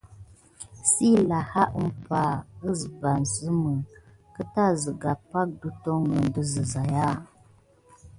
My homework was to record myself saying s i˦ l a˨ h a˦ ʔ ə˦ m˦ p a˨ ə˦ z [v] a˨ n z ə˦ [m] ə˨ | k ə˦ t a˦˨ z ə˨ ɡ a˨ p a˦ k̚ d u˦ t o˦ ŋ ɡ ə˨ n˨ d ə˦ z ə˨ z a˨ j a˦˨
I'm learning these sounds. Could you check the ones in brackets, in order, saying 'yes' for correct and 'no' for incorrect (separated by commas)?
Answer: no, yes